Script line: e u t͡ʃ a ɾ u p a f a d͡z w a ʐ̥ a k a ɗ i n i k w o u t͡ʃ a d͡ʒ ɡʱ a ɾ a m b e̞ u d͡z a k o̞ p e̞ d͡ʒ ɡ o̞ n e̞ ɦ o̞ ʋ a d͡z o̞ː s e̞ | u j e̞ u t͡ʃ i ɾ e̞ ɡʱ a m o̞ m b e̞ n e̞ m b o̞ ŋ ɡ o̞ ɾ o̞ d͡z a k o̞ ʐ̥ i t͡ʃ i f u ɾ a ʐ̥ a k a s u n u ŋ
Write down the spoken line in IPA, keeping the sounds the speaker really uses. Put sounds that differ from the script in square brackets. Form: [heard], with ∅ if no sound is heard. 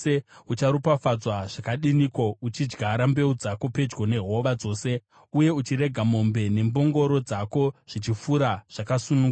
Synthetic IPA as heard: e u t͡ʃ a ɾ u p a f a d͡z w a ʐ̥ a k a ɗ i n i k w o u t͡ʃ [i] d͡ʒ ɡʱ a ɾ a m b e̞ u d͡z a k o̞ p e̞ d͡ʒ ɡ o̞ n e̞ ɦ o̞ ʋ a d͡z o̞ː s e̞ | u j e̞ u t͡ʃ i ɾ e̞ ɡʱ a m o̞ m b e̞ n e̞ m b o̞ ŋ ɡ o̞ ɾ o̞ d͡z a k o̞ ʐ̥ i t͡ʃ i f u ɾ a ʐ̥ a k a s u n u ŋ

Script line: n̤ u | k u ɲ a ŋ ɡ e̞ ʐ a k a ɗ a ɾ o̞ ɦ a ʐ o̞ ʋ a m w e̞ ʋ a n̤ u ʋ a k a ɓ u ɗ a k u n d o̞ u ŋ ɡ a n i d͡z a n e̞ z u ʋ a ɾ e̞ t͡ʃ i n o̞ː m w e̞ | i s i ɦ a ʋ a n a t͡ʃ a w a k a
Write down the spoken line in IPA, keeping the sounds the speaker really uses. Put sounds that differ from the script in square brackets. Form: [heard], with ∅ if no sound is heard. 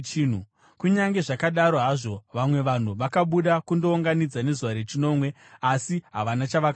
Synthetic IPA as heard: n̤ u | k u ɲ a ŋ ɡ e̞ ʐ a k a ɗ a ɾ o̞ ɦ a ʐ o̞ ʋ a m w e̞ ʋ a n̤ u ʋ a k a ɓ u ɗ a k u n d o̞ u ŋ ɡ a n i d͡z a n e̞ z u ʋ a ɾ e̞ t͡ʃ i n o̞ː m w e̞ | [a] s i ɦ a ʋ a n a t͡ʃ a [ʋ] a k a

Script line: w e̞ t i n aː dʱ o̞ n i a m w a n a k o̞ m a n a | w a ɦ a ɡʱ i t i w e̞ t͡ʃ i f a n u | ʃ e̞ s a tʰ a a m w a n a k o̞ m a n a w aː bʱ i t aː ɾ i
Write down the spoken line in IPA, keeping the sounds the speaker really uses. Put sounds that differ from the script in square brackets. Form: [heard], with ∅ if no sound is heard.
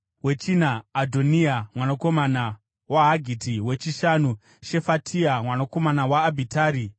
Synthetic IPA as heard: w e̞ [t͡ʃ] i n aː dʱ o̞ n i a m w a n a k o̞ m a n a | w a ɦ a ɡʱ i t i w e̞ t͡ʃ i [ʃ] a n u | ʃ e̞ [f] a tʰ [i] a m w a n a k o̞ m a n a w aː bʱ i t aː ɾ i

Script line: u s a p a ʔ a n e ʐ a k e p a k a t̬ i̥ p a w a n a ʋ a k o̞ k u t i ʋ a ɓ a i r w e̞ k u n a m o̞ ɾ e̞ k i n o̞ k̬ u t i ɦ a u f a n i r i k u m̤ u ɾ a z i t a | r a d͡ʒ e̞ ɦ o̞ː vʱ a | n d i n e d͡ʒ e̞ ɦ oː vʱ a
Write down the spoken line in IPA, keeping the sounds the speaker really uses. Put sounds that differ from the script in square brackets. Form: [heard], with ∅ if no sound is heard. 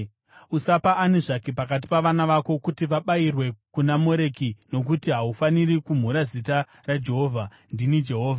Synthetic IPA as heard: u s a p a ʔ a n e ʐ a k e p a k a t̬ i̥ p a [ʋ] a n a ʋ a k o̞ k u t i ʋ a ɓ a i r w e̞ k u n a m o̞ ɾ e̞ k i n o̞ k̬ u t i ɦ a u f a n i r i k u m̤ u ɾ a z i t a | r a d͡ʒ e̞ ɦ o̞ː vʱ a | n d i n [i] d͡ʒ e̞ ɦ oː vʱ a

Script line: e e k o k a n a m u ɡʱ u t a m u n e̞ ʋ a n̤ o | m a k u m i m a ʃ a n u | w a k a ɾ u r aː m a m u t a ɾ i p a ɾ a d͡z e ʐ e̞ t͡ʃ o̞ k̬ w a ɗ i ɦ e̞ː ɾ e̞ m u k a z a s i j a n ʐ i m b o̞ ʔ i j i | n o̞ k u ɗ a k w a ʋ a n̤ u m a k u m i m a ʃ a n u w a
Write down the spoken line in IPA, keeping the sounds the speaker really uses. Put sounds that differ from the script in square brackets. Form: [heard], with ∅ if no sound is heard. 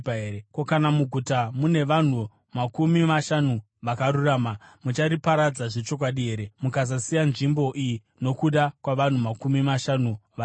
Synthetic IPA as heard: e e k o k a n a m u ɡʱ u t a m u n e̞ ʋ a n̤ [u] | m a k u m i m a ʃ a n u | [ʋ] a k a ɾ u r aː m a m u [t͡ʃ] a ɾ i p a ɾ a d͡z [a] ʐ e̞ t͡ʃ o̞ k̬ w a ɗ i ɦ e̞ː ɾ e̞ m u k a z a s i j a n ʐ i m b o̞ ʔ i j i | n o̞ k u ɗ a k w a ʋ a n̤ u m a k u m i m a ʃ a n u [ʋ] a

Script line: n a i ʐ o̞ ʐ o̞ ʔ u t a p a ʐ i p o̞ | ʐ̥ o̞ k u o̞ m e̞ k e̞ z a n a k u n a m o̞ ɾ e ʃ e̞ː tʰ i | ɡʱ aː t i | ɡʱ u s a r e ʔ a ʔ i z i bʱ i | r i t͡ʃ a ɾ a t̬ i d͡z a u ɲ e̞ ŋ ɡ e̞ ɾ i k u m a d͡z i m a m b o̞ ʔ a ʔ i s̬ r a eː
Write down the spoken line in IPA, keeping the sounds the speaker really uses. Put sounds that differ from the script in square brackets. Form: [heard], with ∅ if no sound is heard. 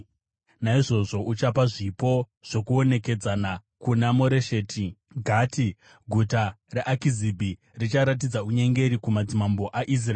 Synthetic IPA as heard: n a i ʐ o̞ ʐ o̞ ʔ u [t͡ʃ] a p a ʐ i p o̞ | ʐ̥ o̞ k u o̞ [n] e̞ k e̞ [d͡z] a n a k u n a m o̞ ɾ e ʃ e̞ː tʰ i | ɡʱ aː t i | ɡʱ u [t] a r e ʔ a [k] i z i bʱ i | r i t͡ʃ a ɾ a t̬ i d͡z a u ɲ e̞ ŋ ɡ e̞ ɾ i k u m a d͡z i m a m b o̞ ʔ a ʔ i s̬ r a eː

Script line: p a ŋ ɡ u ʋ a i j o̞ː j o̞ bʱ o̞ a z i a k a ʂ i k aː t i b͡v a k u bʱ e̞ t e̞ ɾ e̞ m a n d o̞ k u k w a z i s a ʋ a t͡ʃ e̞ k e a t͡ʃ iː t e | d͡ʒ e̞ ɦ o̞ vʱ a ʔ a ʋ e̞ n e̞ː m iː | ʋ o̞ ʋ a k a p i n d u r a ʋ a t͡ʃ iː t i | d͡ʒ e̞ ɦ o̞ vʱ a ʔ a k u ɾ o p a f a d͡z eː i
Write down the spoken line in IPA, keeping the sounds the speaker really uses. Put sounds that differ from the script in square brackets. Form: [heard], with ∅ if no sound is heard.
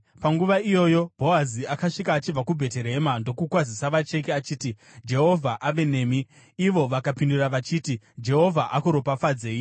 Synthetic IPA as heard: p a ŋ ɡ u ʋ a i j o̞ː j o̞ bʱ o̞ a z i a k a ʂ i k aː [t͡ʃ] i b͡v a k u bʱ e̞ t e̞ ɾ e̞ m a n d o̞ k u k w a z i s a ʋ a t͡ʃ e̞ k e a t͡ʃ iː t [i] | d͡ʒ e̞ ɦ o̞ vʱ a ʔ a ʋ e̞ n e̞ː m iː | ʋ o̞ ʋ a k a p i n d u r a ʋ a t͡ʃ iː t i | d͡ʒ e̞ ɦ o̞ vʱ a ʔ a k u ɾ o p a f a d͡z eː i

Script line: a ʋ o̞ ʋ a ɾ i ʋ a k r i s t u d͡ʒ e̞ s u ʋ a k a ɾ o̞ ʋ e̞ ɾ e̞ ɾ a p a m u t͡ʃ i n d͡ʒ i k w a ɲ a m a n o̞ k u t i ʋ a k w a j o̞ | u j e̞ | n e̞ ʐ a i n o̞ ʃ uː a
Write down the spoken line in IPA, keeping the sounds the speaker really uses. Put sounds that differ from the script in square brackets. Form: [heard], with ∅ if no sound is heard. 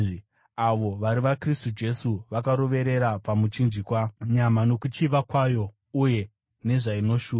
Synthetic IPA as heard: a ʋ o̞ ʋ a ɾ i ʋ a k r i s t u d͡ʒ e̞ s u ʋ a k a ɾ o̞ ʋ e̞ ɾ e̞ ɾ a p a m u t͡ʃ i n d͡ʒ i k w a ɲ a m a n o̞ k u [t͡ʃ] i ʋ a k w a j o̞ | u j e̞ | n e̞ ʐ a i n o̞ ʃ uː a

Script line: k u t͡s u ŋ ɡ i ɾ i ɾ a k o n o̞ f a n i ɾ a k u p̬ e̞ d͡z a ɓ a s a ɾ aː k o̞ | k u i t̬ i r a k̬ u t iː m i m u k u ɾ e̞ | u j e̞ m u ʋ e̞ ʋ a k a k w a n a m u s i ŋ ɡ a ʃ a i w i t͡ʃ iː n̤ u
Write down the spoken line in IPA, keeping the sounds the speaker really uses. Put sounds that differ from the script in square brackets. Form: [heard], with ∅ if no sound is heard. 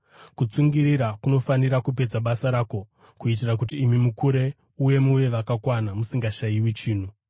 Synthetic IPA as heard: k u t͡s u ŋ ɡ i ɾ i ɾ a k [u] n o̞ f a n i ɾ a k u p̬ e̞ d͡z a ɓ a s a ɾ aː k o̞ | k u i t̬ i r a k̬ u t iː m i m u k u ɾ e̞ | u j e̞ m u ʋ e̞ ʋ a k a k w a n a m u s i ŋ ɡ a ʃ a i w i t͡ʃ iː n̤ u

